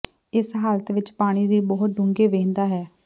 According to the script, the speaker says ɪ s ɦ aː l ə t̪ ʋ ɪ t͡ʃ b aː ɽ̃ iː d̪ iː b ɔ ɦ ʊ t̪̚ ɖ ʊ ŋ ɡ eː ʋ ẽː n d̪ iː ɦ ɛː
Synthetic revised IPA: ɪ s ɦ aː l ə t̪ ʋ ɪ t͡ʃ p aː ɽ̃ iː d̪ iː b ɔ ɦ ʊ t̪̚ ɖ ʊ ŋ ɡ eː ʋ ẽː n d̪ aː ɦ ɛː